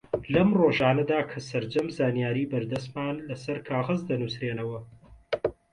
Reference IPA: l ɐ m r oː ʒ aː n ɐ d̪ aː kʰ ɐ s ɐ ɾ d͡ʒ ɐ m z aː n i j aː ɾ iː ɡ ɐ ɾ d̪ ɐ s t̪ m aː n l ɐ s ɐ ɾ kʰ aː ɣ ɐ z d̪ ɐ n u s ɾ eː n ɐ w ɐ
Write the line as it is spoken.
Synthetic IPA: l ɐ m r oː ʒ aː n ɐ d̪ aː kʰ ɐ s ɐ ɾ d͡ʒ ɐ m z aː n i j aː ɾ iː b ɐ ɾ d̪ ɐ s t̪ m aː n l ɐ s ɐ ɾ kʰ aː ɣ ɐ z d̪ ɐ n u s ɾ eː n ɐ w ɐ